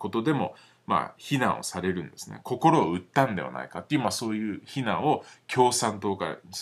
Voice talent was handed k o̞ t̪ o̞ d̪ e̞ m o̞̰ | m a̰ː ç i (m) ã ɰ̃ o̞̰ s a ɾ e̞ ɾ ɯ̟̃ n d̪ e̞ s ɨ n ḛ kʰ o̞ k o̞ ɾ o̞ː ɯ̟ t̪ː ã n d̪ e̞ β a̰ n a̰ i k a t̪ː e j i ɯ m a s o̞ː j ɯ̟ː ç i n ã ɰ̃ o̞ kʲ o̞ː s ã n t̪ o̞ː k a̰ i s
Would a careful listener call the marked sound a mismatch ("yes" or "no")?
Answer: yes